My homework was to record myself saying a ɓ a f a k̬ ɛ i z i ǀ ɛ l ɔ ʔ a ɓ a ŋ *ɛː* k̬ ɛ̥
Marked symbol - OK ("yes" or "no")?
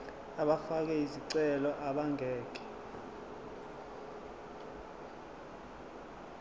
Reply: yes